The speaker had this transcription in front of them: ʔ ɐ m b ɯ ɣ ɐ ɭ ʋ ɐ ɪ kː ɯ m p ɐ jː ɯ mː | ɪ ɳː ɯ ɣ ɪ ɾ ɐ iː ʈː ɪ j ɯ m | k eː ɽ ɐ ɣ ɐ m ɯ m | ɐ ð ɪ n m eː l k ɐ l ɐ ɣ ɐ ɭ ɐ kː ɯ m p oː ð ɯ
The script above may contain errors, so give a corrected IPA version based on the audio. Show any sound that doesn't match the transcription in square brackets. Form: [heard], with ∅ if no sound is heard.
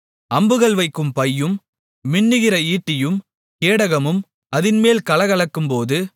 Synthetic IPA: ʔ ɐ m b ɯ ɣ ɐ ɭ ʋ ɐ ɪ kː ɯ m p ɐ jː ɯ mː | ɪ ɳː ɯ ɣ ɪ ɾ ɐ iː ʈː ɪ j ɯ m | k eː ɽ ɐ ɣ ɐ m ɯ m | ɐ ð ɪ n m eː l k ɐ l ɐ ɣ ɐ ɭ ɐ kː ɯ m p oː ð ɯ

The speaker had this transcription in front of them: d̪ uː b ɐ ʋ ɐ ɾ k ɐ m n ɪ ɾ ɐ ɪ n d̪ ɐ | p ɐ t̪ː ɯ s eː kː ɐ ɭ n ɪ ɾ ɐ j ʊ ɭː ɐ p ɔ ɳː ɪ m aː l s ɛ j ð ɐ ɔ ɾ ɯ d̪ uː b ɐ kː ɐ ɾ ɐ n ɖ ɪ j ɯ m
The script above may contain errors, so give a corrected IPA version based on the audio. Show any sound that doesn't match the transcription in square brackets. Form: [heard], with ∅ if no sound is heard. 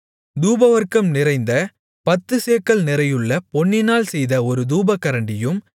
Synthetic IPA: d̪ uː b ɐ ʋ ɐ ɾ k ɐ m n ɪ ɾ ɐ ɪ n d̪ ɐ | p ɐ t̪ː ɯ s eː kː ɐ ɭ n ɪ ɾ ɐ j [ɯ] ɭː ɐ p ɔ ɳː ɪ [n] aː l s ɛ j ð ɐ ɔ ɾ ɯ d̪ uː b ɐ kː ɐ ɾ ɐ [ɳ] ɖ ɪ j ɯ m

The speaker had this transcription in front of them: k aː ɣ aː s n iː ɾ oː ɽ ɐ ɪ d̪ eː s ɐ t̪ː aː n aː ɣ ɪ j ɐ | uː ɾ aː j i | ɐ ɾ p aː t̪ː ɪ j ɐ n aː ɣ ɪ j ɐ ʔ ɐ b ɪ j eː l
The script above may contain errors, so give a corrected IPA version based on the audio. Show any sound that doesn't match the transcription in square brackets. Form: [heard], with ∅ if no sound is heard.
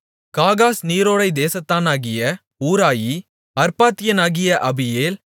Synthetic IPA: k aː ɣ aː s n iː ɾ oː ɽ ɐ ɪ d̪ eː s ɐ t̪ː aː n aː ɣ ɪ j ɐ | uː ɾ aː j i | ɐ ɾ p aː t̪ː ɪ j ɐ n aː ɣ ɪ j ɐ ʔ ɐ b ɪ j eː l

